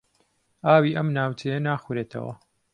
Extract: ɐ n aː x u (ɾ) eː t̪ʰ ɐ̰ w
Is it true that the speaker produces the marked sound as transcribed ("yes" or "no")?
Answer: yes